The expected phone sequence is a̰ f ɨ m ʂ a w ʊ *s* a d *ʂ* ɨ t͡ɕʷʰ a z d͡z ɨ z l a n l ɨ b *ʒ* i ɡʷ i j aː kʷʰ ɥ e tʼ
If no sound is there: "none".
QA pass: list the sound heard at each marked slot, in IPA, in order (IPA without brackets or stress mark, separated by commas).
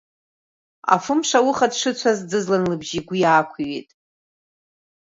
χ, ʂ, ʒ